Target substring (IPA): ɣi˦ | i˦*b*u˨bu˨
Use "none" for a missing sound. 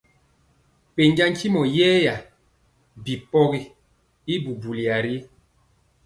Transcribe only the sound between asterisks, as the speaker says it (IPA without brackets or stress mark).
b